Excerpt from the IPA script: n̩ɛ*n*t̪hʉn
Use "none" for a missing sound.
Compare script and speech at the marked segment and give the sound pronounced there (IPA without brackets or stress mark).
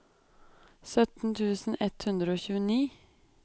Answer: none